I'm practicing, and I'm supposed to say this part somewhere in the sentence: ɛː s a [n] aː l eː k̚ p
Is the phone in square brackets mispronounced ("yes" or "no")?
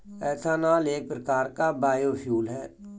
no